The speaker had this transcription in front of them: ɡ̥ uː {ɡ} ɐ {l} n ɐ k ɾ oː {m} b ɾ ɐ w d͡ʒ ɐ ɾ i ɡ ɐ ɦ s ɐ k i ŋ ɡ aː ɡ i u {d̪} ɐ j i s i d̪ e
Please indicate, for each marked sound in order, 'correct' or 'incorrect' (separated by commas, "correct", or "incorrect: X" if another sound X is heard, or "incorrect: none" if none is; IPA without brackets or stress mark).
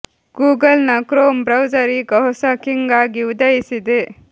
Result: correct, correct, correct, correct